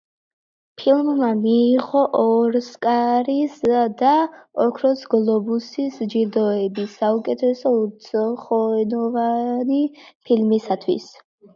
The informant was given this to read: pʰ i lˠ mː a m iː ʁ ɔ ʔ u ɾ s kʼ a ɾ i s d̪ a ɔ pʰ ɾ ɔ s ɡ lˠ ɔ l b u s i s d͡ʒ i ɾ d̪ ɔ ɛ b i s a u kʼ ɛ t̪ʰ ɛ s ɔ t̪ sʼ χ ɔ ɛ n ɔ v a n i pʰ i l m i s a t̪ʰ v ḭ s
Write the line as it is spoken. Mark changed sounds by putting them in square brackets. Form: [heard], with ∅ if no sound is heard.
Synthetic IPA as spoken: pʰ i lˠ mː a m iː ʁ ɔ ʔ [ɔ] ɾ s kʼ a ɾ i s d̪ a ɔ [kʰ] ɾ ɔ s ɡ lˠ ɔ [∅] b u s i s d͡ʒ i ɾ d̪ ɔ ɛ b i s a u kʼ ɛ t̪ʰ ɛ s ɔ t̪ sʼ χ ɔ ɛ n ɔ v a n i pʰ i l m i s a t̪ʰ [w] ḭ s